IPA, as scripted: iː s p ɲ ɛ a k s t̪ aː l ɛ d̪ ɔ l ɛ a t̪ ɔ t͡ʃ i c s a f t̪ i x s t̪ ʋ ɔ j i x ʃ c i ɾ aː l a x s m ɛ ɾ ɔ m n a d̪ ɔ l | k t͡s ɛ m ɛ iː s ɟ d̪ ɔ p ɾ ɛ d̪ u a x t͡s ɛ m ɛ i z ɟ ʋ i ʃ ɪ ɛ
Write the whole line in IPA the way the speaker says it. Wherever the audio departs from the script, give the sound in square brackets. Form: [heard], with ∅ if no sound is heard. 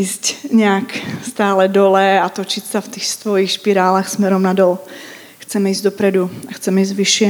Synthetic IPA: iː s [c] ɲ ɛ a k s t̪ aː l ɛ d̪ ɔ l ɛ a t̪ ɔ t͡ʃ i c s a f t̪ i x s t̪ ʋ ɔ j i x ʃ [p] i ɾ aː l a x s m ɛ ɾ ɔ m n a d̪ ɔ l | [x] t͡s ɛ m ɛ iː [z] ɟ d̪ ɔ p ɾ ɛ d̪ u a x t͡s ɛ m ɛ i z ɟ ʋ i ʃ ɪ ɛ